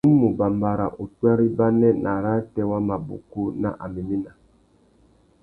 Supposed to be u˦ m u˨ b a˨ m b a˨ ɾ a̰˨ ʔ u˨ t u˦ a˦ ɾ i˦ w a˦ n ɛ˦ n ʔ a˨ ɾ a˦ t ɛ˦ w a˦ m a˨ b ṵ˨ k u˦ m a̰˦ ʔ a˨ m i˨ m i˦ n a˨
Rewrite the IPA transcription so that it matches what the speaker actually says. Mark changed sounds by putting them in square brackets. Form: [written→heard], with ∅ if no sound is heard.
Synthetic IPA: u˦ m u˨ b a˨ m b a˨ ɾ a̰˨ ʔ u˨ t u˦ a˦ ɾ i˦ [w→b] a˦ n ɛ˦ n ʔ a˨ ɾ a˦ t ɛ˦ w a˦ m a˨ b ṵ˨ k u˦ [m→n] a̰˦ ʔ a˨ m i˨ m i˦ n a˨